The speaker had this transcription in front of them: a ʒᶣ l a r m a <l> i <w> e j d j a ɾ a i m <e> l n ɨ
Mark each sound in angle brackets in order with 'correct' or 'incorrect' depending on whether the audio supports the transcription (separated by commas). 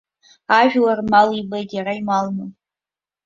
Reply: correct, incorrect, incorrect